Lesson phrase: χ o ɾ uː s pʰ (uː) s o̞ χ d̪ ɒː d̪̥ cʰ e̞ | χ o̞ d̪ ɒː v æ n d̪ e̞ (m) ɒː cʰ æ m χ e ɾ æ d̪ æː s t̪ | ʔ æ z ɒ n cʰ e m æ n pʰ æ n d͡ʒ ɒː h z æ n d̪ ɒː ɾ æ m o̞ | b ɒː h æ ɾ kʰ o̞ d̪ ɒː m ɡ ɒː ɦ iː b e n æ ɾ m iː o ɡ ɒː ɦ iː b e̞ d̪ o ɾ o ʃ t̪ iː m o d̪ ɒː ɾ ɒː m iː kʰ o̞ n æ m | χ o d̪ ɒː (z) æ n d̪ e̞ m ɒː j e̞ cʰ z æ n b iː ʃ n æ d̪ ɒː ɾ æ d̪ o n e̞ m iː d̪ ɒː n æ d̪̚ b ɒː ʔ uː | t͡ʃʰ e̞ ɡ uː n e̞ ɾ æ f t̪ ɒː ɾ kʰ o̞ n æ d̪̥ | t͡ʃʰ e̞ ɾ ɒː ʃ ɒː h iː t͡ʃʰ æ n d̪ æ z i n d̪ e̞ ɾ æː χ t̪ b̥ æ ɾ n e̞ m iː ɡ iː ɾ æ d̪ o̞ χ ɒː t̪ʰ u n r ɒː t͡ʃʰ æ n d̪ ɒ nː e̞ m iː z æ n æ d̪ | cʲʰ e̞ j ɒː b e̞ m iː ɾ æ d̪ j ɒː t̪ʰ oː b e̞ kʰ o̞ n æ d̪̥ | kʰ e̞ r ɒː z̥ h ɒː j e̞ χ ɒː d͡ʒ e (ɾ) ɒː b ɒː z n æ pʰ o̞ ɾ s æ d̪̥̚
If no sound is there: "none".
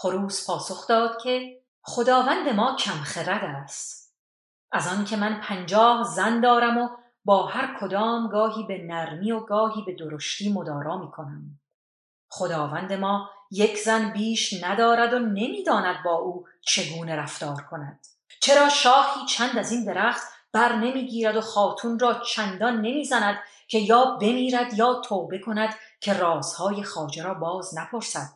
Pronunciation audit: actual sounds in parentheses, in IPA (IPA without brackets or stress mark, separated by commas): ɒː, m, v, ɾ